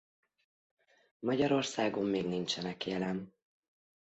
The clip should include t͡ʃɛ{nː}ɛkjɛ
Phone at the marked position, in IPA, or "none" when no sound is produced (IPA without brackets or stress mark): n